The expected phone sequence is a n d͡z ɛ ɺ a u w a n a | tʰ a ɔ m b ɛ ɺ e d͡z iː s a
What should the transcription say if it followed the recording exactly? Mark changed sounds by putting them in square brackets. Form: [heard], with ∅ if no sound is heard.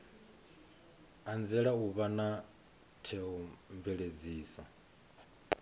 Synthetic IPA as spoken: a n d͡z ɛ ɺ a u [β] a n a | tʰ [ɛ] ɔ m b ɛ ɺ e d͡z iː s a

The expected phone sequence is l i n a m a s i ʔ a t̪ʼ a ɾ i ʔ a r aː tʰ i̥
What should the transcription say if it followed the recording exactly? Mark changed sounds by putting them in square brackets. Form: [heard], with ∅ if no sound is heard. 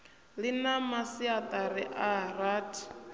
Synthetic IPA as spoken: l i n a m a s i [∅] a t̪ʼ a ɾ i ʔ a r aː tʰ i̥

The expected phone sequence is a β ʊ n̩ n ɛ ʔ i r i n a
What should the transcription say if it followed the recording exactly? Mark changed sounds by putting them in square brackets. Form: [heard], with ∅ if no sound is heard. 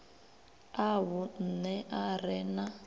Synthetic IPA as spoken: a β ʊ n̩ n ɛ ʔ [a] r [ɛ] n a

